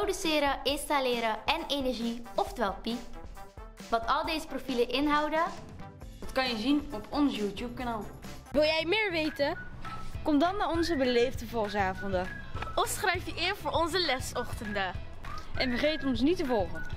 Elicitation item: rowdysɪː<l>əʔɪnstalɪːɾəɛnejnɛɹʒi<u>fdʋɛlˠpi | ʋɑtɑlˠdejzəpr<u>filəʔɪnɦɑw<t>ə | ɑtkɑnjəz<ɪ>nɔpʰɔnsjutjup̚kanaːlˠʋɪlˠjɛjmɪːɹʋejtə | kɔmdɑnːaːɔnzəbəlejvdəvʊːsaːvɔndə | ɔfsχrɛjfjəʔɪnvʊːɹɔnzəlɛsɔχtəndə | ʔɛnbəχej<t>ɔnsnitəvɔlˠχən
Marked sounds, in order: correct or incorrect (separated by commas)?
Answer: incorrect, incorrect, incorrect, incorrect, incorrect, correct